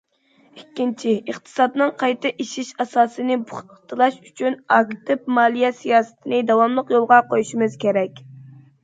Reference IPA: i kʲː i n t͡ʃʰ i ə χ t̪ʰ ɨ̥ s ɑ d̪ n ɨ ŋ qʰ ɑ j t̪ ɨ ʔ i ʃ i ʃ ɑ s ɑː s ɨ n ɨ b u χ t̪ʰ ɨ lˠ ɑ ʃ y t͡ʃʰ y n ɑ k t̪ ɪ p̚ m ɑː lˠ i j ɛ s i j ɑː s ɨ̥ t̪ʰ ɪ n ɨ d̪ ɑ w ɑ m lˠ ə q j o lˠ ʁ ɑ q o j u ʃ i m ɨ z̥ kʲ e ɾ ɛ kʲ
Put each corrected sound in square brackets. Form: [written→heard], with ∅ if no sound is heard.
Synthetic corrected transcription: i kʲː i n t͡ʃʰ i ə χ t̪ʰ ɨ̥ s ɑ d̪ n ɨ ŋ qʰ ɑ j t̪ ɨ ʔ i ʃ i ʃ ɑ s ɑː s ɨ n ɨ b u χ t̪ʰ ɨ lˠ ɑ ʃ y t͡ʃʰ y n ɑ k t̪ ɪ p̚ m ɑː lˠ i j ɛ s i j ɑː s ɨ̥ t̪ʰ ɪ n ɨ d̪ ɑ w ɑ m lˠ ə q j o lˠ ʁ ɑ q o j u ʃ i m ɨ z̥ kʲ e ɾ ɛ kʲ